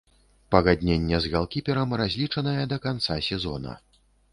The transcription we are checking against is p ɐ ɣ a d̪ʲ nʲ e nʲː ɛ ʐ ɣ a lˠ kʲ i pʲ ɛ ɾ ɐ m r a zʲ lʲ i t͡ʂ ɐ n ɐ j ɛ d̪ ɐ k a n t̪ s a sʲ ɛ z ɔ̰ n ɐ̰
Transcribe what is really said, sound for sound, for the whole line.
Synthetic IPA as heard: p ɐ ɣ a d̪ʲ nʲ e nʲː ɛ z ɣ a lˠ kʲ i pʲ ɛ ɾ ɐ m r a zʲ lʲ i t͡ʂ ɐ n ɐ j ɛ d̪ ɐ k a n t̪ s a sʲ ɛ z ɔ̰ n ɐ̰